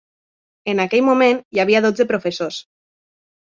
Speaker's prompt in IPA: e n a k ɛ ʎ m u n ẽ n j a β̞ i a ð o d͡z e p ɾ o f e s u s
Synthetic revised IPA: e n a k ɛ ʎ m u m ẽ n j a β̞ i a ð o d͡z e p ɾ o f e s o s